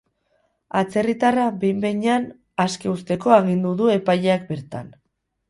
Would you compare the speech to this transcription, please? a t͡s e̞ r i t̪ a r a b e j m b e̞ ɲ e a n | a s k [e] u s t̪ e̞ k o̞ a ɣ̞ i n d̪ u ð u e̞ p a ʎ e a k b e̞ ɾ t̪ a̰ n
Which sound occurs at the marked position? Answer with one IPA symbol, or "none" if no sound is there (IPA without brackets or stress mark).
e